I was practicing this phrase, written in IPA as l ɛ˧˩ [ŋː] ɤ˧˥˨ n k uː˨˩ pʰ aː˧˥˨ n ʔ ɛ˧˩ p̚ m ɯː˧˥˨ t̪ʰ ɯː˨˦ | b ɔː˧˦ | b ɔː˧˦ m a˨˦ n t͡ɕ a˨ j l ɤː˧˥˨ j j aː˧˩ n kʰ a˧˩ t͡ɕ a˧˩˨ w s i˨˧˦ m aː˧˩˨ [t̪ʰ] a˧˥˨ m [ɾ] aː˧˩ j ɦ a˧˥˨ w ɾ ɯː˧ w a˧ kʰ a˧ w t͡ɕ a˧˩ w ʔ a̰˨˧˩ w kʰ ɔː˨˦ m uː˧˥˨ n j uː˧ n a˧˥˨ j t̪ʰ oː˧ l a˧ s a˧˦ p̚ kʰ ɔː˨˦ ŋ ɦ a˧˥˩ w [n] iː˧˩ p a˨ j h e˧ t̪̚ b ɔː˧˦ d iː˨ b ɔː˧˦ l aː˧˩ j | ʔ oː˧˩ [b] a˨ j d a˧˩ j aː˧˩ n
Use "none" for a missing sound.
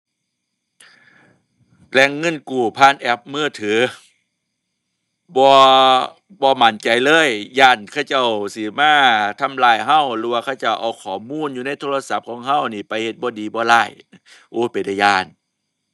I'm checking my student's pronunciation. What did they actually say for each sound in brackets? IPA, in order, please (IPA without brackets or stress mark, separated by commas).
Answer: ŋː, t̪ʰ, l, n, p